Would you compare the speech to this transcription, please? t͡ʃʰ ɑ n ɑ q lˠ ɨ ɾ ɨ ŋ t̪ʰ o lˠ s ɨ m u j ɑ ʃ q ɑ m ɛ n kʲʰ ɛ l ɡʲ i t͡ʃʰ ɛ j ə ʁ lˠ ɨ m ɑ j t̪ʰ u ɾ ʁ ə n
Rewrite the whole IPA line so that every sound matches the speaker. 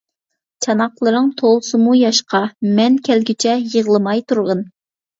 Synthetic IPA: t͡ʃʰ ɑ n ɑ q lˠ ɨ ɾ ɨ ŋ t̪ʰ o lˠ s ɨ m u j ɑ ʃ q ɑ m ɛ n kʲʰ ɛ l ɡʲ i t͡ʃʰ ɛ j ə ʁ lˠ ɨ m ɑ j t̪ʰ u ɾ ʁ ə n